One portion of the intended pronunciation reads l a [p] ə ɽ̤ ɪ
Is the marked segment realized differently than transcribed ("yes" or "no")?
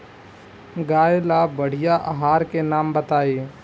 yes